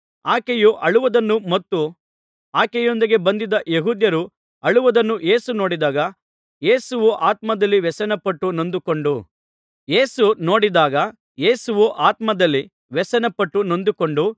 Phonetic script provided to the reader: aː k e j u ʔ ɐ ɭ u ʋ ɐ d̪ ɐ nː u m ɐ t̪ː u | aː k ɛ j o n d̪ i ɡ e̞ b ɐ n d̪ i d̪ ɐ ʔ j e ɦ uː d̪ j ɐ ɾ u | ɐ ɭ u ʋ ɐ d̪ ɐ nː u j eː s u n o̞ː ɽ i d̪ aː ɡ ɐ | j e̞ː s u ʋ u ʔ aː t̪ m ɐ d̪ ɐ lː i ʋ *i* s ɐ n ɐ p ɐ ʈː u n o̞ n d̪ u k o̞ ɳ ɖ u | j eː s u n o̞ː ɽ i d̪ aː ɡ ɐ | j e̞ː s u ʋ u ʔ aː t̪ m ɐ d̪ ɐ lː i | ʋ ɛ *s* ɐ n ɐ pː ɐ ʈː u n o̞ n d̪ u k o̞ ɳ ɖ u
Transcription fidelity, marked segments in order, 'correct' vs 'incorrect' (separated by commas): incorrect, correct